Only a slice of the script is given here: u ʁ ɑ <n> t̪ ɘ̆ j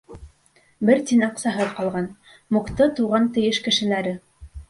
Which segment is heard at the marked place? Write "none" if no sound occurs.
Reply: n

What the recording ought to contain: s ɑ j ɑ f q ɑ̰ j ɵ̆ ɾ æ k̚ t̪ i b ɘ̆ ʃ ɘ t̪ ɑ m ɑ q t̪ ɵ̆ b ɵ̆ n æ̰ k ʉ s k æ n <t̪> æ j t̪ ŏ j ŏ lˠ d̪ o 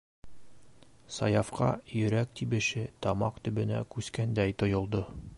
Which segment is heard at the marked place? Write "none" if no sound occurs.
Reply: d̪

